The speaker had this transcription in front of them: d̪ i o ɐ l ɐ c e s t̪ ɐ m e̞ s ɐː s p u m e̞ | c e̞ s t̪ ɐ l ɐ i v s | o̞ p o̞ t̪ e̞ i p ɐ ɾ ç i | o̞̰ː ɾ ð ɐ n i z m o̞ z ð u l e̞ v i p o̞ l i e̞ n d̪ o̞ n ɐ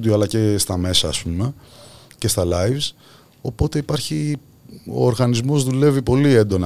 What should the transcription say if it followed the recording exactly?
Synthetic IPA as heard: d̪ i o ɐ l ɐ c e s t̪ ɐ m e̞ s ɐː s p u m e̞ | c e̞ s t̪ ɐ l ɐ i v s | o̞ p o̞ t̪ e̞ i p ɐ ɾ ç i | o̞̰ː ɾ ɣ ɐ n i z m o̞ z ð u l e̞ v i p o̞ l i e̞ n d̪ o̞ n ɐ